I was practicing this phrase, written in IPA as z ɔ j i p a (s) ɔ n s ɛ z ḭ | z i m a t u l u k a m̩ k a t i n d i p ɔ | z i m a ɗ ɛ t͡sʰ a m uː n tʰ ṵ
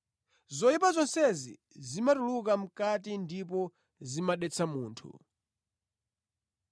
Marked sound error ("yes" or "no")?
yes